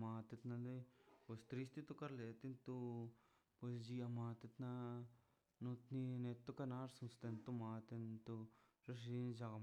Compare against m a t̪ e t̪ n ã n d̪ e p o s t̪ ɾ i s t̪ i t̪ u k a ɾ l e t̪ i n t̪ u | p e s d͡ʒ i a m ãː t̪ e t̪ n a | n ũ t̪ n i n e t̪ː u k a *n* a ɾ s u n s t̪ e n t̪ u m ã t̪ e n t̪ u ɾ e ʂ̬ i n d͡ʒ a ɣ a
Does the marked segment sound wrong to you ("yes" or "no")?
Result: no